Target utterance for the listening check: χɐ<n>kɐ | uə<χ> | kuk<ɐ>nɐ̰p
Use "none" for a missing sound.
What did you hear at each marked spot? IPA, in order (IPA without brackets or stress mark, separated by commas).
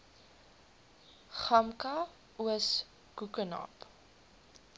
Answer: m, s, ə